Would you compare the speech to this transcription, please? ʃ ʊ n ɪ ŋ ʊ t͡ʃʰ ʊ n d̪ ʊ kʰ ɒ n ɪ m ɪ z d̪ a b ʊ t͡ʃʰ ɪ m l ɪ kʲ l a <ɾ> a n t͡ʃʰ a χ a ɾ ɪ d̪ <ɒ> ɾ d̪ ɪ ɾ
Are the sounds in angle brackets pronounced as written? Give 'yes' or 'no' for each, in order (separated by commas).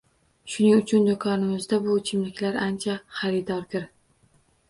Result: yes, yes